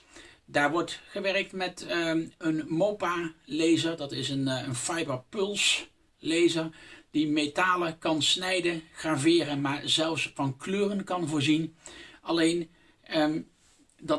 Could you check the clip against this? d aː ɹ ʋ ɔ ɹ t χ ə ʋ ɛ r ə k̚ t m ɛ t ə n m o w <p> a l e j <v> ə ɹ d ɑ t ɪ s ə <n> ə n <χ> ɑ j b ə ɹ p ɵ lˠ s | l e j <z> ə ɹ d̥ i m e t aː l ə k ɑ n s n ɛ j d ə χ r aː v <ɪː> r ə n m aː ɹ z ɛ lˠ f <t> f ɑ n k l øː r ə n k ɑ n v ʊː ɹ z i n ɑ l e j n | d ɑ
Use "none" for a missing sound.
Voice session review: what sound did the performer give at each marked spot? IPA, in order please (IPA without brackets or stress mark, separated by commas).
p, z, n, f, z, ɪː, s